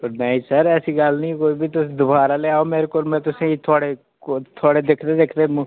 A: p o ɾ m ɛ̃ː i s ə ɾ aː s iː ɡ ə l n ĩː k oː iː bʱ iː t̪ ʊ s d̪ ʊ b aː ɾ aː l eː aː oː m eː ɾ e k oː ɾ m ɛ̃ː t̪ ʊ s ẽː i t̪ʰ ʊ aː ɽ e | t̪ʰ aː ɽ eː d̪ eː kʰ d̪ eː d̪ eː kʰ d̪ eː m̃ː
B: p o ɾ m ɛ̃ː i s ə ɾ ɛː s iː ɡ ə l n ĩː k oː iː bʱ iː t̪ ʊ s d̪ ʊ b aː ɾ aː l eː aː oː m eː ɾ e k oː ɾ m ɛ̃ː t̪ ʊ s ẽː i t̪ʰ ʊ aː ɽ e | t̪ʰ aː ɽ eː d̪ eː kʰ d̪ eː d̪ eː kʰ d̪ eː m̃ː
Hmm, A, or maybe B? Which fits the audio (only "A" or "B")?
B